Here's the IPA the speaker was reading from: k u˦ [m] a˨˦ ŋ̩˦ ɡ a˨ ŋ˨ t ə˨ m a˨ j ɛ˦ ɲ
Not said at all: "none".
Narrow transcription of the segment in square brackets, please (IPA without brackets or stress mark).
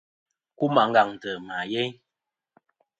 m